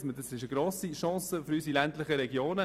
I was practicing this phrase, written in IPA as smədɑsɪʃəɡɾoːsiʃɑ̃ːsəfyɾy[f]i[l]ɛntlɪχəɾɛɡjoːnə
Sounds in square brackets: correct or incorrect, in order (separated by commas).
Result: incorrect, correct